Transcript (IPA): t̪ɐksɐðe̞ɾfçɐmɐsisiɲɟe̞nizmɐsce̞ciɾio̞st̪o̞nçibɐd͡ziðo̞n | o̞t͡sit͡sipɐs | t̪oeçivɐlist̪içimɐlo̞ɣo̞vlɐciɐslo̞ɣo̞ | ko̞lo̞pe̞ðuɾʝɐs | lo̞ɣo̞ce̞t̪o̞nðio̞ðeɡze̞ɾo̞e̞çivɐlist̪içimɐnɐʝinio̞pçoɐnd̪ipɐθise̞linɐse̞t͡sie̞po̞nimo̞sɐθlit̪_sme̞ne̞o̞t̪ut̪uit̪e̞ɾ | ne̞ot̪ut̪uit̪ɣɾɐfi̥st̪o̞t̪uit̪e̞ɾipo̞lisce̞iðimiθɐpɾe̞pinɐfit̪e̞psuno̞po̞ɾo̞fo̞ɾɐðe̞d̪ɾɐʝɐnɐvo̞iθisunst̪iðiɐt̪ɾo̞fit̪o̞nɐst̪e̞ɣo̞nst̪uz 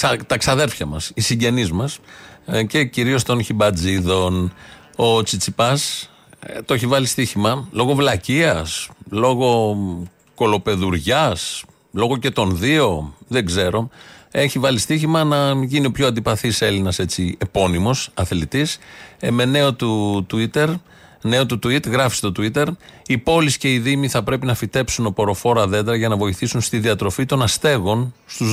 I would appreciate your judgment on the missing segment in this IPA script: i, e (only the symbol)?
i